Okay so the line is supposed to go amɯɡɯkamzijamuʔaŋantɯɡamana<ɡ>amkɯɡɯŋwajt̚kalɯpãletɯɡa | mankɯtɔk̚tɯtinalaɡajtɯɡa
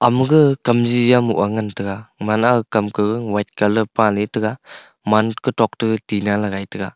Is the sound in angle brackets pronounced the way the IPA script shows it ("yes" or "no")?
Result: no